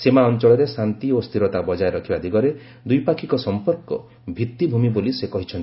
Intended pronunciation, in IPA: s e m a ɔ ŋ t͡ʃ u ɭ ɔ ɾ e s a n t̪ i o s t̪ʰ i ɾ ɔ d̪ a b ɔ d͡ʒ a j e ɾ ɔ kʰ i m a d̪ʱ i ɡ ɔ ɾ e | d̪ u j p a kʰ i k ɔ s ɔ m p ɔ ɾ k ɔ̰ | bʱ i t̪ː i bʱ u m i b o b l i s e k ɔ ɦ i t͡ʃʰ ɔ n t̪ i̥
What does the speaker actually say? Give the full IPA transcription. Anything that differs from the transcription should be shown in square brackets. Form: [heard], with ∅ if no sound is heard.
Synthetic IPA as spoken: s e m a ɔ [n] t͡ʃ [ɔ] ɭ ɔ ɾ e s a n t̪ i o s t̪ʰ i ɾ ɔ [t̪] a b ɔ d͡ʒ a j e ɾ ɔ kʰ i [b] a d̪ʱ i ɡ ɔ ɾ e | d̪ u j p a kʰ i k ɔ s ɔ m p ɔ ɾ k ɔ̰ | bʱ i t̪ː i bʱ u m i b o [∅] l i s e k ɔ ɦ i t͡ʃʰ ɔ n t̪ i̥